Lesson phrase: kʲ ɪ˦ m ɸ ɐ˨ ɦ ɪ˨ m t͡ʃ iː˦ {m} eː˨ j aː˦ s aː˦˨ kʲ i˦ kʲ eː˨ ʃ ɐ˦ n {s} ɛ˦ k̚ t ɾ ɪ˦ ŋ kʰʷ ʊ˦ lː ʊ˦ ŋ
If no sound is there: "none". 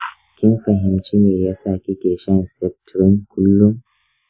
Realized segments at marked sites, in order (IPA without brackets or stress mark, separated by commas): n, s